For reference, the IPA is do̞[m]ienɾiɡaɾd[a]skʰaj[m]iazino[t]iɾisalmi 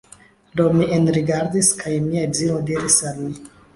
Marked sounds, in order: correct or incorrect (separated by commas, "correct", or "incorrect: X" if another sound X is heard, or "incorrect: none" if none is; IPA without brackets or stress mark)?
correct, incorrect: i, correct, incorrect: d